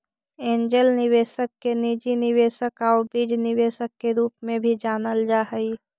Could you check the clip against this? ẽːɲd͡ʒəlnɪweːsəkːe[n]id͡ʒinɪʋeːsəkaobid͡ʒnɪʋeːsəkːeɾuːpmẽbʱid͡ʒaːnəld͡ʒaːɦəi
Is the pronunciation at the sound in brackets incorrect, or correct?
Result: correct